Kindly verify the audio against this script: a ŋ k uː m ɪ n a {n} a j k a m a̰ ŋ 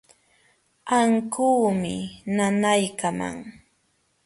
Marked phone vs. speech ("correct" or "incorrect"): correct